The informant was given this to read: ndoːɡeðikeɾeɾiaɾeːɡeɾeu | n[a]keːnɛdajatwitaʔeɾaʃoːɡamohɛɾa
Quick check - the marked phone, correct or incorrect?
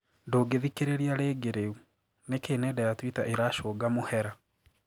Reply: incorrect